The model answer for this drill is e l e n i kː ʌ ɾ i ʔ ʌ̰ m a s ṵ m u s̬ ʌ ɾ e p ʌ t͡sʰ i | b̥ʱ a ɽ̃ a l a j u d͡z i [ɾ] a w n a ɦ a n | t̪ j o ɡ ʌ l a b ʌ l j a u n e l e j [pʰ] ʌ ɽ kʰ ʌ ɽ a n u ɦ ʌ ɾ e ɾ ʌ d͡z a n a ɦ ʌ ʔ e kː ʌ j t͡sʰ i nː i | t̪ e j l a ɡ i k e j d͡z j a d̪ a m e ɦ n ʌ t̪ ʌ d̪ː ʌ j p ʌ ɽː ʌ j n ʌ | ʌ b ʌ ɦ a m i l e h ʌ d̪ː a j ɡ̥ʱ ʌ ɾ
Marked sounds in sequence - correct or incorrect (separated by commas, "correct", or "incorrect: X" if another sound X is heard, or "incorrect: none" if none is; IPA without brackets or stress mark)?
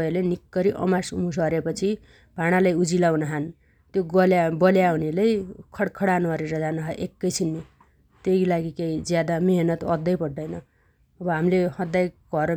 incorrect: l, incorrect: kʰ